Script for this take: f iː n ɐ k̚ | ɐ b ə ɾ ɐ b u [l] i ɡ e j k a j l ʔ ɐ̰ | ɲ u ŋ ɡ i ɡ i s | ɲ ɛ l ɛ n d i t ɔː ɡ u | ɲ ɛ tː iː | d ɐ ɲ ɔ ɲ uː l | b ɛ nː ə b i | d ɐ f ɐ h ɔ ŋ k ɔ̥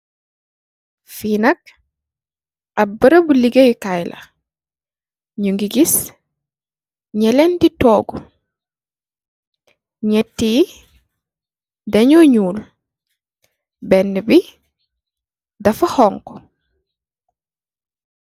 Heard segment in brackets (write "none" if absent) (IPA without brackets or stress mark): l